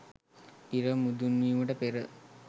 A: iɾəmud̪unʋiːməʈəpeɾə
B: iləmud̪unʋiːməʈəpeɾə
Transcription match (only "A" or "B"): A